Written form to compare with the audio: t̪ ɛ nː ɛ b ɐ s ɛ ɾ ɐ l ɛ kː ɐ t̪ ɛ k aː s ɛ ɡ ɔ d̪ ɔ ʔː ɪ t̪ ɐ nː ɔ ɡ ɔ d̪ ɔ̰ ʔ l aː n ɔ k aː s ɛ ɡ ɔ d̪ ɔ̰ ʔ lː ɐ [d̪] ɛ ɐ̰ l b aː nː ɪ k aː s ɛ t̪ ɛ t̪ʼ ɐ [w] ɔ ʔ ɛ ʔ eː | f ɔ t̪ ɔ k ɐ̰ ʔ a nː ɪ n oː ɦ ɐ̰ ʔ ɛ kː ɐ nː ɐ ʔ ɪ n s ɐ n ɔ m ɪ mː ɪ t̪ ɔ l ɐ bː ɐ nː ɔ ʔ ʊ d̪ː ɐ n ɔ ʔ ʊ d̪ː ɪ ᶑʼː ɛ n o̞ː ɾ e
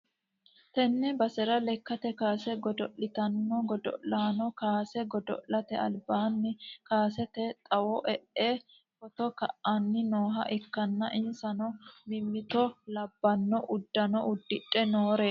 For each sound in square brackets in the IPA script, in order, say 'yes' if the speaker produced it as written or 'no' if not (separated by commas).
no, yes